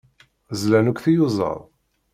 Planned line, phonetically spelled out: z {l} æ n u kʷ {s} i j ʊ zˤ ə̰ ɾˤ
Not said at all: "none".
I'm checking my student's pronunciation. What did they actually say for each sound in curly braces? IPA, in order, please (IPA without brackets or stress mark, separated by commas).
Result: l, θ